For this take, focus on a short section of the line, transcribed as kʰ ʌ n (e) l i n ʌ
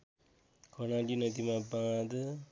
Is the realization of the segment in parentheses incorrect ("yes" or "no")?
yes